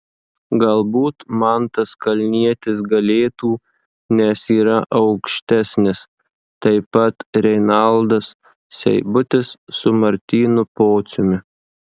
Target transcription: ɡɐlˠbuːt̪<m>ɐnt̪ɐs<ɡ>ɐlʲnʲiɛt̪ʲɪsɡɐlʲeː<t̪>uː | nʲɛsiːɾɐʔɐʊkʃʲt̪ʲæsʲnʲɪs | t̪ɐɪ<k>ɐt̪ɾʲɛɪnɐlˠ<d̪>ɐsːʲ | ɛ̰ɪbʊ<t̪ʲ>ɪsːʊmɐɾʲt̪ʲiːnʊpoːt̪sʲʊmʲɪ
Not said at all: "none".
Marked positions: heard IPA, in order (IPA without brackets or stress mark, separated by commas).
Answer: m, k, t̪, p, d̪, t̪ʲ